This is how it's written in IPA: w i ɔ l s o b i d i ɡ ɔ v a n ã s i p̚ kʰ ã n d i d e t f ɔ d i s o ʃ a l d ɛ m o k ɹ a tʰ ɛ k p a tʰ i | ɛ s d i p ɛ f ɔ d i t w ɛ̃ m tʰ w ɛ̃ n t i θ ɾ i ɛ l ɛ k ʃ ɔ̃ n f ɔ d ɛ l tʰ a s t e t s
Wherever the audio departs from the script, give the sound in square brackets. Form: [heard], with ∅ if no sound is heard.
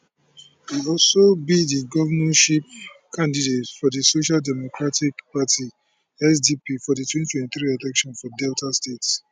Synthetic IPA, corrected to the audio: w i ɔ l s o b i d i ɡ ɔ v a n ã [ʃ] i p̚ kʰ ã n d i d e t f ɔ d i s o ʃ a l d ɛ m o k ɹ a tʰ [i] k p a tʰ i | ɛ s d i p [i] f ɔ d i t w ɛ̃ [n] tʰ w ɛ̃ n t i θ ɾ i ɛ l ɛ k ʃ ɔ̃ n f ɔ d ɛ l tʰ a s t e t s